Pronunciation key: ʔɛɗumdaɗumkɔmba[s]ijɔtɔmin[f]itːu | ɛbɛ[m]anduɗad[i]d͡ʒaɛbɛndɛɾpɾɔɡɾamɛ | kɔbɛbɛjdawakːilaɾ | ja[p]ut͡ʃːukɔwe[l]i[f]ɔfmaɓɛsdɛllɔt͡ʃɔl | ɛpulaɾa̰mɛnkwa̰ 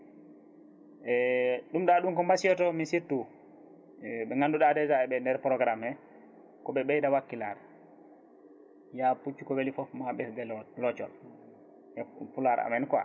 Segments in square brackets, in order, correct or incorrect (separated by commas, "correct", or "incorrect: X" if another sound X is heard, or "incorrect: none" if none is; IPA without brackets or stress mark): correct, incorrect: s, incorrect: ŋ, incorrect: ɛ, correct, correct, correct